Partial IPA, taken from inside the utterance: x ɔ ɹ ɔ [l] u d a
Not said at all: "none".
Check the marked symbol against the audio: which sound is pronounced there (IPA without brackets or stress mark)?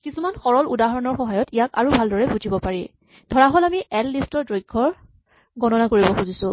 l